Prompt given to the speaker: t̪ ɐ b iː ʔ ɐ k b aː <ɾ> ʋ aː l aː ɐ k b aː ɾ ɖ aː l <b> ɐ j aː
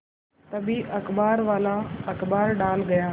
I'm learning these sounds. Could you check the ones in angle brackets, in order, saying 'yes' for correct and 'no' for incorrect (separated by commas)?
yes, no